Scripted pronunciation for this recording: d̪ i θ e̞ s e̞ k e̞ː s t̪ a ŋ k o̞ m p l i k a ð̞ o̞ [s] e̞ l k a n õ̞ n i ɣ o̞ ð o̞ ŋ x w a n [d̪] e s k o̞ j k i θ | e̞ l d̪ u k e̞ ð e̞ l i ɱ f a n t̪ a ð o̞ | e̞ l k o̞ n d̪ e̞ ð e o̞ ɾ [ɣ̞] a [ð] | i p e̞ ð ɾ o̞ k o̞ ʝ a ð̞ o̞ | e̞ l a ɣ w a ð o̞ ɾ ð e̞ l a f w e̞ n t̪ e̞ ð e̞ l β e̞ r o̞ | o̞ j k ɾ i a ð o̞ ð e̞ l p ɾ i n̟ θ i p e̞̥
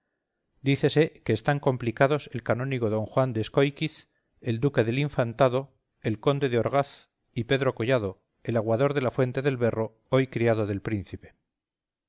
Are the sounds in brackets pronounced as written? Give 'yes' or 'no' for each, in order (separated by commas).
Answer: yes, yes, yes, no